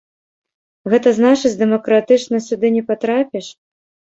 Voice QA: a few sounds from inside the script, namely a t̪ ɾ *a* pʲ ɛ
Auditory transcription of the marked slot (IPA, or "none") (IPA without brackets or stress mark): a